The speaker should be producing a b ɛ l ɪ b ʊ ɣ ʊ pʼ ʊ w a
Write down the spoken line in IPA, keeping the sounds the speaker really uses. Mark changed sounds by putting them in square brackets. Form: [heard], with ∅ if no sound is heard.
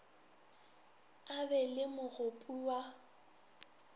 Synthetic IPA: a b ɛ l ɪ [m] ʊ ɣ ʊ pʼ [u] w a